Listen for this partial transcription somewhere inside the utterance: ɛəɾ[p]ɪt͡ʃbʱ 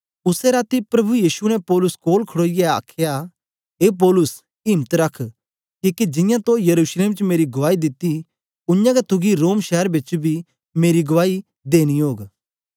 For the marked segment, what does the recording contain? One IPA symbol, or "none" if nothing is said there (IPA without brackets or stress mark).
b